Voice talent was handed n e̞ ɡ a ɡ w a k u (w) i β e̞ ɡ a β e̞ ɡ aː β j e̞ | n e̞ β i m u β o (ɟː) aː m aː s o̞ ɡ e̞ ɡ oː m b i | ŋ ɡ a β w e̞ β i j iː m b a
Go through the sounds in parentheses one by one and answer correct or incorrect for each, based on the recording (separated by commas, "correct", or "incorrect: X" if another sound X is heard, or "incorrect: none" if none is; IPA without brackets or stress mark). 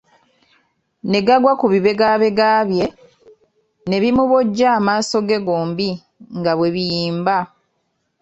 incorrect: β, correct